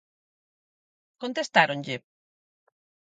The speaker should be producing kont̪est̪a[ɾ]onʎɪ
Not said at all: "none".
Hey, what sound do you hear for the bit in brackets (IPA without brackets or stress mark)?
ɾ